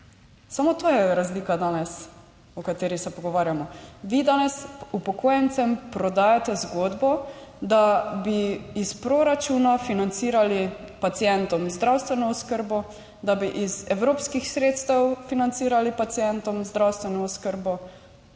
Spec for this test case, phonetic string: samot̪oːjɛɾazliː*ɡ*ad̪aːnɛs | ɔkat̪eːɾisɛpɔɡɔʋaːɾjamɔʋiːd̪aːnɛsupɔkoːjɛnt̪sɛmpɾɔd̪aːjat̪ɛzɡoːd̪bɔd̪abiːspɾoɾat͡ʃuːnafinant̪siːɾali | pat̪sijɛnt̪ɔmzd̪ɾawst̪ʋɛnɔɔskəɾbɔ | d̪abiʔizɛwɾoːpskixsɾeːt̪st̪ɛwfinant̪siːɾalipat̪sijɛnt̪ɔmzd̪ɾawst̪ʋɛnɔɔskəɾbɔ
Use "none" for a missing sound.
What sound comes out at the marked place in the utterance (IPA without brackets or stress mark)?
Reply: k